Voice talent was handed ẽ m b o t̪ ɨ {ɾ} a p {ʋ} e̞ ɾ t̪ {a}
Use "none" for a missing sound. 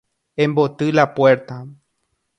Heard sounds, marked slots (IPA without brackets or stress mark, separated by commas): l, w, a